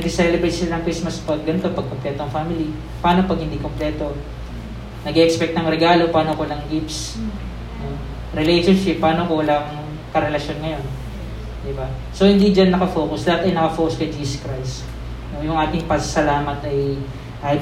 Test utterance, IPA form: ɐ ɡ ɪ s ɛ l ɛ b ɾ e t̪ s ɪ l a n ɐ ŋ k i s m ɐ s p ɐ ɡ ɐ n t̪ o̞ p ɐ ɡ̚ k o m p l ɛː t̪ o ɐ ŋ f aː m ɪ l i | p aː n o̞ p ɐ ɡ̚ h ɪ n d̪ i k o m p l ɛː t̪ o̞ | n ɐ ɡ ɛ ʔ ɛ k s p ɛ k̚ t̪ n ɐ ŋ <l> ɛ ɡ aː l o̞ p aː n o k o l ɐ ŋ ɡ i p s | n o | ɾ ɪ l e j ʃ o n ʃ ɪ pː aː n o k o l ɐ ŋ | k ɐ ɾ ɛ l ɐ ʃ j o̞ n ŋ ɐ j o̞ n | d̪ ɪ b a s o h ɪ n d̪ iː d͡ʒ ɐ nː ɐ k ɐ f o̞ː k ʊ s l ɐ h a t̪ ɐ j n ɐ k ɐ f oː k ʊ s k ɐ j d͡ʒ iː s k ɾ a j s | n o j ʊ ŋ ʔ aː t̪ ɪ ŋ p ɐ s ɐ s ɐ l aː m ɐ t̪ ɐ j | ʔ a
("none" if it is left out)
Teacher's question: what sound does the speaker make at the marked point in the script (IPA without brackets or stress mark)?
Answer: ɾ